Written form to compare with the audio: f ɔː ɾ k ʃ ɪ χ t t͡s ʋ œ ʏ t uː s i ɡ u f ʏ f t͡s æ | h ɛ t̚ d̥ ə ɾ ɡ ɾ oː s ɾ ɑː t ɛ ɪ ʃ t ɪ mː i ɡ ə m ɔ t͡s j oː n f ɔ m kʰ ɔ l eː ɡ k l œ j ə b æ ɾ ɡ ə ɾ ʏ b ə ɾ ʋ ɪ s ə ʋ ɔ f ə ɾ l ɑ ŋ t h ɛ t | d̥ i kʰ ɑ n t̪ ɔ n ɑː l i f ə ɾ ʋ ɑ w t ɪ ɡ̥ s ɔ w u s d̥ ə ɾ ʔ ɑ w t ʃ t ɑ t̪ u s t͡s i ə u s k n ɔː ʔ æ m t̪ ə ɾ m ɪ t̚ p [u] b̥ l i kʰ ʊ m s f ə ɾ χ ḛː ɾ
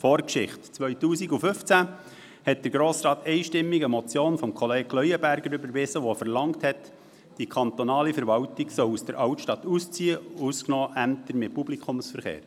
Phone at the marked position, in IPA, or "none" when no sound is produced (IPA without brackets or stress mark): u